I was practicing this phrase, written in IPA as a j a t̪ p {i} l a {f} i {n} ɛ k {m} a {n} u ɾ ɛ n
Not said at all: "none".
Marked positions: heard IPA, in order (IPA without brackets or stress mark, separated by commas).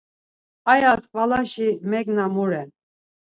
a, ʃ, m, n, m